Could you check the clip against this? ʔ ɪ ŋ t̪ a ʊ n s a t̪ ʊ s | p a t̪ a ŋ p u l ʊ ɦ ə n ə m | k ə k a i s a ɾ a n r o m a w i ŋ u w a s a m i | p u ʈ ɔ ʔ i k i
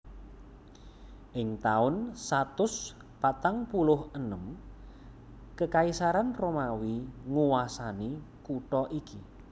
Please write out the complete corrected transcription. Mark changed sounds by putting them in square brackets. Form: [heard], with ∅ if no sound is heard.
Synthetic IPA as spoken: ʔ ɪ ŋ t̪ a ʊ n s a t̪ ʊ s | p a t̪ a ŋ p u l ʊ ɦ ə n ə m | k ə k a i s a ɾ a n r o m a w i ŋ u w a s a [n] i | [k] u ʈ ɔ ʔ i k i

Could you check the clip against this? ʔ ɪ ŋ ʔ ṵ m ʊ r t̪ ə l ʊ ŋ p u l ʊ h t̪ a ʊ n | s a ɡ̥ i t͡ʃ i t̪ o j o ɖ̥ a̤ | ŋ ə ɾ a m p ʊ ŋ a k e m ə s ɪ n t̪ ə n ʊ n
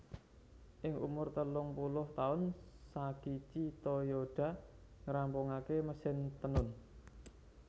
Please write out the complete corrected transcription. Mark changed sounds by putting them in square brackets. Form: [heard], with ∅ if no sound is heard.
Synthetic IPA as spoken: ʔ ɪ ŋ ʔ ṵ m ʊ r t̪ ə l ʊ ŋ p u l ʊ h t̪ a ʊ n | s a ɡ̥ i t͡ʃ i t̪ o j o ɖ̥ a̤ | ŋ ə ɾ a m p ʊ ŋ a k e m ə s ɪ n t̪ ə n ʊ n

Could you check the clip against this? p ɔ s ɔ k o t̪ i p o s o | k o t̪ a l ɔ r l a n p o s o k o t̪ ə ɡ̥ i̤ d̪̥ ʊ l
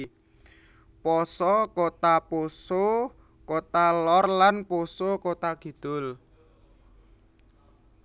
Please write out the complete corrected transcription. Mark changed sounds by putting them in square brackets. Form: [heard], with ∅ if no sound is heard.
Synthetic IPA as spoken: p ɔ s ɔ k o t̪ [a] p o s o | k o t̪ a l ɔ r l a n p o s o k o t̪ [a] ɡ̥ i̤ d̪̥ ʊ l

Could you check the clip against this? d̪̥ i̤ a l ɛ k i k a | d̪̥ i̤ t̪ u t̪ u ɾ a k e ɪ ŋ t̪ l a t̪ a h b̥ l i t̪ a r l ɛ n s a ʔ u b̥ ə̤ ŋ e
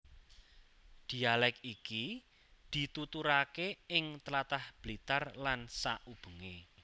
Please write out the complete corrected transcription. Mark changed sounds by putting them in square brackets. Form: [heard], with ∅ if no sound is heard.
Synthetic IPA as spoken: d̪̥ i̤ a l ɛ k i k [i] | d̪̥ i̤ t̪ u t̪ u ɾ a k e ɪ ŋ t̪ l a t̪ a h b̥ l i t̪ a r l [a] n s a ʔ u b̥ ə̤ ŋ e

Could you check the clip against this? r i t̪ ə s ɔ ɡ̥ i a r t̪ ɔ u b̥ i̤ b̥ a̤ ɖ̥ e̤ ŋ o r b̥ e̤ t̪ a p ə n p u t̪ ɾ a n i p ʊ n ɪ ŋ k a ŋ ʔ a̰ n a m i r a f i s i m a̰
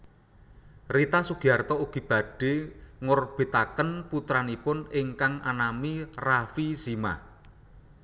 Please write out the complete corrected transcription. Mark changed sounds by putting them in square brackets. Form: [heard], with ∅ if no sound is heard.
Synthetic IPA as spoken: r i t̪ [a] s [u] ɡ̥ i a r t̪ ɔ u [ɡ̥] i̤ b̥ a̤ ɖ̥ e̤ ŋ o r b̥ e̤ t̪ a [k] ə n p u t̪ ɾ a n i p ʊ n ɪ ŋ k a ŋ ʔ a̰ n a m i r a f i s i m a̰

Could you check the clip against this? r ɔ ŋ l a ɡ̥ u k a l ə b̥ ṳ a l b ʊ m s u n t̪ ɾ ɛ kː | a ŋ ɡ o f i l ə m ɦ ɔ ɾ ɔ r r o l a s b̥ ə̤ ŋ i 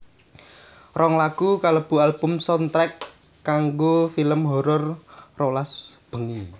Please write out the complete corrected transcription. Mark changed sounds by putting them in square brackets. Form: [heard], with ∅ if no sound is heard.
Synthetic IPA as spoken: r ɔ ŋ l a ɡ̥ u k a l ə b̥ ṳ a l b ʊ m s [ɔ] n t̪ ɾ ɛ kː | a ŋ ɡ o f i l ə m ɦ ɔ ɾ ɔ r r o l a s b̥ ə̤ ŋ i

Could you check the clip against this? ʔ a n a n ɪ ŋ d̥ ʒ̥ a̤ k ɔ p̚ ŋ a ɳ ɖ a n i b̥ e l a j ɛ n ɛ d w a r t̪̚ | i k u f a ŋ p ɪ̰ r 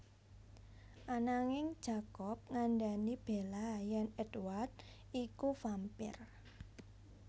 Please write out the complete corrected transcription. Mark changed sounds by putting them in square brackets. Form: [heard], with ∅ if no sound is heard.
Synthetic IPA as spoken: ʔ a n a [ŋ] ɪ ŋ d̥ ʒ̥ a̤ k ɔ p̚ ŋ a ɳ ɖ a n i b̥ e l a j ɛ n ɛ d w a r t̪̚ | i k u f a [m] p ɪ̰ r

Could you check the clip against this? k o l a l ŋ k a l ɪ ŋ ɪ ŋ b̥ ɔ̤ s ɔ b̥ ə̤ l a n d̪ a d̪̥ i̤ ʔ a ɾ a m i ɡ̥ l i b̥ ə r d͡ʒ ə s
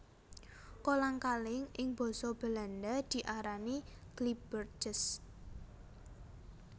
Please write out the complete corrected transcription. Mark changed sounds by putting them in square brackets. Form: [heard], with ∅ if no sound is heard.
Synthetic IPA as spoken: k o l a [∅] ŋ k a l ɪ ŋ ɪ ŋ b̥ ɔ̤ s ɔ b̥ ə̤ l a n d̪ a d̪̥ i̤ ʔ a ɾ a [n] i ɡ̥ l i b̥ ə r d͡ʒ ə s

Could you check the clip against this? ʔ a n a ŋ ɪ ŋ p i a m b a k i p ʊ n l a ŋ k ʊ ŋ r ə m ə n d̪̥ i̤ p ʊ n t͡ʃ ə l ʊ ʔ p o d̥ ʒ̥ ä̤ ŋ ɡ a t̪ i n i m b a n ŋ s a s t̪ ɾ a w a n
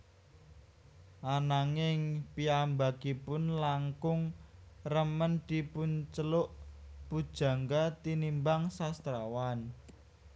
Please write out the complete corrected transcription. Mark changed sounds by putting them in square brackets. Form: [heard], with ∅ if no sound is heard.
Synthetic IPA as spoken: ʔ a n a ŋ ɪ ŋ p i a m b a k i p ʊ n l a ŋ k ʊ ŋ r ə m ə n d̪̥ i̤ p ʊ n t͡ʃ ə l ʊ ʔ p [u] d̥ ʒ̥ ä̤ ŋ ɡ a t̪ i n i m b a [∅] ŋ s a s t̪ ɾ a w a n

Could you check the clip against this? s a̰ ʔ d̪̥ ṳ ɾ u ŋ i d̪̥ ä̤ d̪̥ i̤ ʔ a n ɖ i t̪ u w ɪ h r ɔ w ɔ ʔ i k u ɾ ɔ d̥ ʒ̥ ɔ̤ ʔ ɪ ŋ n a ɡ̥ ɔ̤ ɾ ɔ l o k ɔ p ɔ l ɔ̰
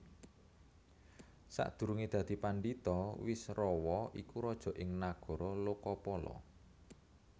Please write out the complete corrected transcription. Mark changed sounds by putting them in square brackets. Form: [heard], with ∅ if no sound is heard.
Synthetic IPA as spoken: s a̰ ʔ d̪̥ ṳ ɾ u ŋ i d̪̥ ä̤ d̪̥ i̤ [p] a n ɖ i t̪ [ɔ] w ɪ [s] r ɔ w ɔ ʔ i k u ɾ ɔ d̥ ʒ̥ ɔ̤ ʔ ɪ ŋ n a ɡ̥ ɔ̤ ɾ ɔ l o k ɔ p ɔ l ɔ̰

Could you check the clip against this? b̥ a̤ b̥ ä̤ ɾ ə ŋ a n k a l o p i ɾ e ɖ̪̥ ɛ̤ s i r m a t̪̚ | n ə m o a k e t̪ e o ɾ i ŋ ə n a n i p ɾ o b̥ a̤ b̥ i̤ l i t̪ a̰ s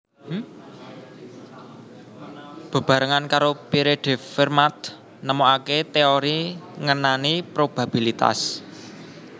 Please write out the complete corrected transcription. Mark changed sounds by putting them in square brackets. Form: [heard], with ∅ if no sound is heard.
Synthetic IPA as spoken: b̥ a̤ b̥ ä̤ ɾ ə ŋ a n k a [ɾ] o p i ɾ e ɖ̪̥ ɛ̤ [f] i r m a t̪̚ | n ə m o a k e t̪ e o ɾ i ŋ ə n a n i p ɾ o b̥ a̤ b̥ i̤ l i t̪ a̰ s

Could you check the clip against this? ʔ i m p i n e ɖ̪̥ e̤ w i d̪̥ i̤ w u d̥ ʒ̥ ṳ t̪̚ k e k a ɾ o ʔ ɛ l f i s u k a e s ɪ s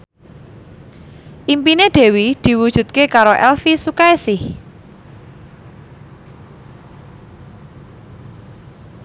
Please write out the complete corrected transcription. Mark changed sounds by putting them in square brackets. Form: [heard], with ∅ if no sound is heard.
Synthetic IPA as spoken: ʔ i m p i n e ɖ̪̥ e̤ w i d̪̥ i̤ w u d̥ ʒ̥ ṳ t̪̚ k e k a ɾ o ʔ ɛ l f i s u k a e s ɪ [h]

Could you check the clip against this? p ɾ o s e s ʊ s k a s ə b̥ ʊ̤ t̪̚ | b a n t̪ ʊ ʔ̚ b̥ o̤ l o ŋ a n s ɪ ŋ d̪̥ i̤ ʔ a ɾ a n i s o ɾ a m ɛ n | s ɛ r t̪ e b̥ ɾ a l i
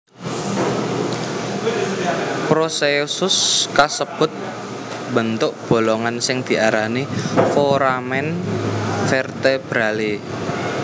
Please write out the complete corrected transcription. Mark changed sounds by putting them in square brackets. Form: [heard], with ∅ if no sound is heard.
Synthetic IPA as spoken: p ɾ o s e s ʊ s k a s ə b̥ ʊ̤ t̪̚ | b [ə] n t̪ ʊ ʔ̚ b̥ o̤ l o ŋ a n s ɪ ŋ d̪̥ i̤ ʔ a ɾ a n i [f] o ɾ a m ɛ n | [f] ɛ r t̪ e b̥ ɾ a l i

